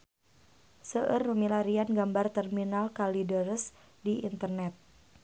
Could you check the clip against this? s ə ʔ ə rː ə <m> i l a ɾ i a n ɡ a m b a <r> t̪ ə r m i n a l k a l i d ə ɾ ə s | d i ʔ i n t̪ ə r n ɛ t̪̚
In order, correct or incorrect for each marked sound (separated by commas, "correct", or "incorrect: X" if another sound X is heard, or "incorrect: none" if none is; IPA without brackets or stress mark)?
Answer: correct, correct